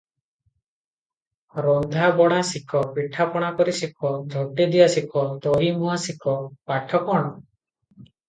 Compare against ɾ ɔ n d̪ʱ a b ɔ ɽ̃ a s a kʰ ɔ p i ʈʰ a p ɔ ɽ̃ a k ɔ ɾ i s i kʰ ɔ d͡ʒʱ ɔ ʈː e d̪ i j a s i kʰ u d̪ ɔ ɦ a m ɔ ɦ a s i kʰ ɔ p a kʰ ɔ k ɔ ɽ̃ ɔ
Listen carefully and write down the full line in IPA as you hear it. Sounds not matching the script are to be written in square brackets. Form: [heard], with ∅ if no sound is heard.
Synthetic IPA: ɾ ɔ n d̪ʱ a b ɔ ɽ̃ a s [i] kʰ ɔ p i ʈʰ a p ɔ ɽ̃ a k ɔ ɾ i s i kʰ ɔ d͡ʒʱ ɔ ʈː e d̪ i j a s i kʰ [ɔ] d̪ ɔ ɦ [i] m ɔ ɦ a s i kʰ ɔ p a [ʈʰ] ɔ k ɔ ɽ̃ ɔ